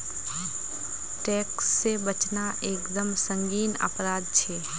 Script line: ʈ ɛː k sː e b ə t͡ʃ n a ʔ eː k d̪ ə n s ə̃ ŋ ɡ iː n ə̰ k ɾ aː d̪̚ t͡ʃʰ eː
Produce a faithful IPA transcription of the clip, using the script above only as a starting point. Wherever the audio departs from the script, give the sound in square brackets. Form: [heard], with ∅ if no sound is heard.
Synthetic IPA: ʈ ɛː k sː e b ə t͡ʃ n a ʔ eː k d̪ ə [m] s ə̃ ŋ ɡ iː n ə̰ [p] ɾ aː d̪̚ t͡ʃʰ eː